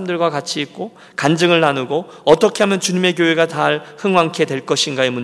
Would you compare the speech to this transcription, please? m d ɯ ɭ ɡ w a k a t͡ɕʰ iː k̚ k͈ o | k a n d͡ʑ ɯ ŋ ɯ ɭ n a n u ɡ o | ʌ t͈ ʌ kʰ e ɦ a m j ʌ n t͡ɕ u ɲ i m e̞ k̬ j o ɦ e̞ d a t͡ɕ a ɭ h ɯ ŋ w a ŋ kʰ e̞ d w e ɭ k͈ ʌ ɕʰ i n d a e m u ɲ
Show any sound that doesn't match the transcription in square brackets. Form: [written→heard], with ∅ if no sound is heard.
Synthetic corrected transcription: m d ɯ ɭ ɡ w a k a t͡ɕʰ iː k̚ k͈ o | k a n d͡ʑ ɯ ŋ ɯ ɭ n a n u ɡ o | ʌ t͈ ʌ kʰ e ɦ a m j ʌ n t͡ɕ u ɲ i m e̞ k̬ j o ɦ e̞ [d→ɡ] a t͡ɕ a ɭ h ɯ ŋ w a ŋ kʰ e̞ d w e ɭ k͈ ʌ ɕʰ i n [d→ɡ] a e m u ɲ